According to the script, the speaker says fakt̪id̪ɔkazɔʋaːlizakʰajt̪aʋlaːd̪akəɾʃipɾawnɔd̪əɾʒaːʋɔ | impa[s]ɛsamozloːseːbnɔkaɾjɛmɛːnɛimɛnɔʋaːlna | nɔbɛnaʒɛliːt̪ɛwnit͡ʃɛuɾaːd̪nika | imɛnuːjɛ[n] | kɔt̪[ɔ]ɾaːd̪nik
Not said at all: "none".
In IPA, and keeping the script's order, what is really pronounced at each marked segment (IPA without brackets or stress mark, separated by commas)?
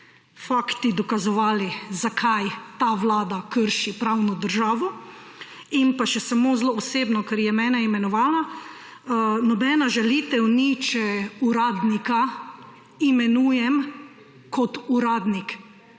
ʃ, m, u